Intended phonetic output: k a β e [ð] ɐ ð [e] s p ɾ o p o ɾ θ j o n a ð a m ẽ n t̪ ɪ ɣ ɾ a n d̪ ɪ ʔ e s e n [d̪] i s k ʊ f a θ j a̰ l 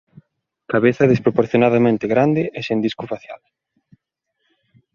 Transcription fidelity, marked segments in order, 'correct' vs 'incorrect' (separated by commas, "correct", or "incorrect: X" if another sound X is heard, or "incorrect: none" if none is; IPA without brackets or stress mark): incorrect: θ, correct, correct